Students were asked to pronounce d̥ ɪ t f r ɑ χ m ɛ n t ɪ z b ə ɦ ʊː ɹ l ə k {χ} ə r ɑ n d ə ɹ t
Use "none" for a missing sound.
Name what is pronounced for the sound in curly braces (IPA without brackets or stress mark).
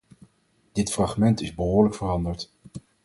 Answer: f